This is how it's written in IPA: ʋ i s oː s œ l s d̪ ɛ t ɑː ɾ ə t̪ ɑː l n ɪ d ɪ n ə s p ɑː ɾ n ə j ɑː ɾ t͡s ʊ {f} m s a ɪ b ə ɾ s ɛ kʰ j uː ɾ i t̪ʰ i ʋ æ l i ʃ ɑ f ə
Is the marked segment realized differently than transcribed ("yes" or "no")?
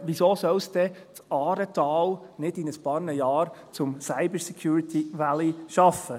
yes